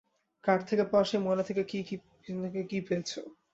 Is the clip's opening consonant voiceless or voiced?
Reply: voiceless